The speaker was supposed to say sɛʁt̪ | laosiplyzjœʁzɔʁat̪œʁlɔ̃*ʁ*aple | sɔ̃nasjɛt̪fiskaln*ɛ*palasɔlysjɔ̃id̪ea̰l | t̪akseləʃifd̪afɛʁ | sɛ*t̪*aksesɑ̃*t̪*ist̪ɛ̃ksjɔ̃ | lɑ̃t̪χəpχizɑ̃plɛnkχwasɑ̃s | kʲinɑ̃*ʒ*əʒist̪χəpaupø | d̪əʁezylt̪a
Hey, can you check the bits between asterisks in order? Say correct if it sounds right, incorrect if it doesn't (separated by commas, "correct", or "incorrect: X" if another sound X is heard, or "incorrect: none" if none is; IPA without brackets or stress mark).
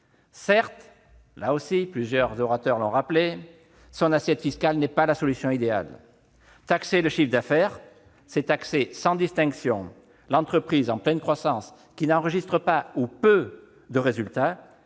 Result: correct, correct, correct, incorrect: d̪, incorrect: ʁ